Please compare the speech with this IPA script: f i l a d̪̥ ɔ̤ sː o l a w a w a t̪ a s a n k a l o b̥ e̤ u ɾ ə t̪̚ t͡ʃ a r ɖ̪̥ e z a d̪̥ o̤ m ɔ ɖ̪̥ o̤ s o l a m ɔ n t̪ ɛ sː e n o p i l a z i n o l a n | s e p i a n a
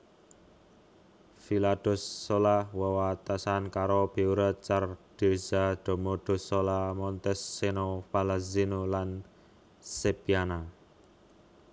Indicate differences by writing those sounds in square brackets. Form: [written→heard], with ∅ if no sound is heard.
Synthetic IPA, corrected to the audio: f i l a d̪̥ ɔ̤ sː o l a w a w a t̪ a s a n k a [l→ɾ] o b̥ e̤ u ɾ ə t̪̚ t͡ʃ a r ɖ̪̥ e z a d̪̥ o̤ m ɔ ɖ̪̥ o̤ s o l a m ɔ n t̪ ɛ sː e n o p [i→a] l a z i n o l a n | s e p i a n a